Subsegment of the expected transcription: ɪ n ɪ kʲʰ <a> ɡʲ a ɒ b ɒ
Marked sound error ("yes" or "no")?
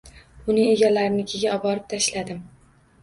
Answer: yes